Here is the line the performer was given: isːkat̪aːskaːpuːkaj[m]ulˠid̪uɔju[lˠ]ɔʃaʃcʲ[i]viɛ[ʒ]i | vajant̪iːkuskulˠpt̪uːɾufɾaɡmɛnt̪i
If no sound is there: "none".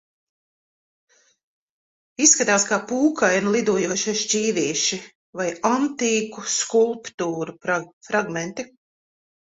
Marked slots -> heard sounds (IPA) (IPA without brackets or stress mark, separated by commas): n, none, iː, ʃ